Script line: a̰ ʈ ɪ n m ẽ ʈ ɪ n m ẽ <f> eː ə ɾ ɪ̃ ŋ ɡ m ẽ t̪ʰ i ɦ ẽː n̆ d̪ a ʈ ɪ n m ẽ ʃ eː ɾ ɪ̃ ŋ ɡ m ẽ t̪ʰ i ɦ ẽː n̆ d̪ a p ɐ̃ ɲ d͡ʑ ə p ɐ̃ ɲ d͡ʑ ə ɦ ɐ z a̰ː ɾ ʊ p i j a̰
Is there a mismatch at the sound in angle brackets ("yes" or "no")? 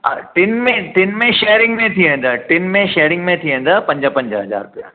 yes